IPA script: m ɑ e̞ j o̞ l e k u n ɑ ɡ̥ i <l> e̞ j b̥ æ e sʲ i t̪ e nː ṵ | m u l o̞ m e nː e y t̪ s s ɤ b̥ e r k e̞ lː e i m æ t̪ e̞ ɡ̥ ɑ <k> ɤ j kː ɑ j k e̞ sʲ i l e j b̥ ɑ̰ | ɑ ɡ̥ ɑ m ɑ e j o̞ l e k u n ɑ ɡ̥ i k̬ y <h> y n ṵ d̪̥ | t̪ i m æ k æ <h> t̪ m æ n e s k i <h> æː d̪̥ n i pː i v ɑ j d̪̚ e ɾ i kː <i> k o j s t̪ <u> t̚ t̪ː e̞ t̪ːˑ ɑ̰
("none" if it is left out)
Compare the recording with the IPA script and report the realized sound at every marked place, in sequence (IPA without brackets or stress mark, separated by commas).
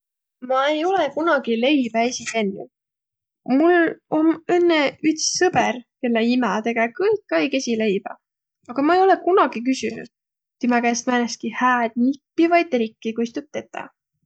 l, k, s, s, h, i, u